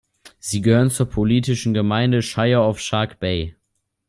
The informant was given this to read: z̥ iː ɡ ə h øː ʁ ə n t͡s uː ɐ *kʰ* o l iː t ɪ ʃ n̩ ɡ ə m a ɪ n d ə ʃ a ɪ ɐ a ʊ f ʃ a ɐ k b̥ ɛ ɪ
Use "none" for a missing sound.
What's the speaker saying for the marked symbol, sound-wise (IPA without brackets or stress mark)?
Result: pʰ